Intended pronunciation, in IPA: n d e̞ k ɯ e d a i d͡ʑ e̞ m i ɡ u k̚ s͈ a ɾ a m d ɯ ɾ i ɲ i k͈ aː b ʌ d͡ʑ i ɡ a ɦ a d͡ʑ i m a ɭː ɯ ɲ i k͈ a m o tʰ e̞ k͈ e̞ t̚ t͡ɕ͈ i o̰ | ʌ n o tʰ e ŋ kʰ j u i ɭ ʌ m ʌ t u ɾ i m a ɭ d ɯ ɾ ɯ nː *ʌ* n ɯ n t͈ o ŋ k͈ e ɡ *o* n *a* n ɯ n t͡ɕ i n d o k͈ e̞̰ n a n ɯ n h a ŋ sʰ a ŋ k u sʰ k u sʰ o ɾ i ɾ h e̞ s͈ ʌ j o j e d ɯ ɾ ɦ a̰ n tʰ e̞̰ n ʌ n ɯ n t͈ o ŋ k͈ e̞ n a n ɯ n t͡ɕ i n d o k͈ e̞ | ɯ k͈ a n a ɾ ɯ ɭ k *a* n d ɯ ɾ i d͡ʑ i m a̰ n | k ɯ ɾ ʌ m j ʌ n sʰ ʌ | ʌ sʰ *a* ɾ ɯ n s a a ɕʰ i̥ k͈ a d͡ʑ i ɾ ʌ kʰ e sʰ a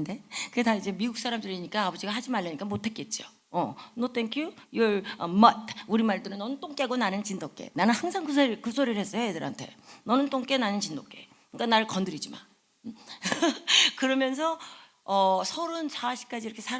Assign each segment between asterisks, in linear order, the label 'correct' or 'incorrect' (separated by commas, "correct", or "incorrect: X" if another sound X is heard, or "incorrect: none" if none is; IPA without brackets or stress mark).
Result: correct, correct, correct, incorrect: ʌ, incorrect: ʌ